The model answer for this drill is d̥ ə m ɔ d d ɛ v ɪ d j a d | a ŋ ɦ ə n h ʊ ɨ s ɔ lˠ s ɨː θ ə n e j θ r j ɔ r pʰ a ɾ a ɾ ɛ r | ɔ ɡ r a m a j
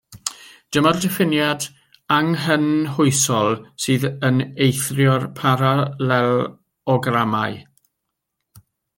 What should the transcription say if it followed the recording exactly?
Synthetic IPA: d̥ ə m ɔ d d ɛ f ɪ n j a d | a ŋ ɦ ə n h ʊ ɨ s ɔ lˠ s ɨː ð ə n e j θ r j ɔ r pʰ a ɾ a l ɛ l | ɔ ɡ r a m a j